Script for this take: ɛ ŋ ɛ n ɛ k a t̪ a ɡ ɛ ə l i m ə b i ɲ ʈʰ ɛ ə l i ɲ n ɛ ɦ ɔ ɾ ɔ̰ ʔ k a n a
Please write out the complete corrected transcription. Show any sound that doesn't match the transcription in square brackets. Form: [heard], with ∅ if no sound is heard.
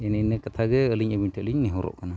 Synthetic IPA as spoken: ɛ [n] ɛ n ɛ k a [t̪ʰ] a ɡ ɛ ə l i [ɲ] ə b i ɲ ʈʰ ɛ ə l i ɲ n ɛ ɦ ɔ ɾ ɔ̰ ʔ k a n a